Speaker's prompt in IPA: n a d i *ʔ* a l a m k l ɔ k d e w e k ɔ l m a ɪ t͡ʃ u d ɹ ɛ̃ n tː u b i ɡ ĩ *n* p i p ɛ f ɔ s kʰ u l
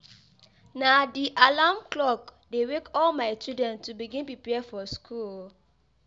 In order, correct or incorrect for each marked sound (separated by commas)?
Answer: correct, correct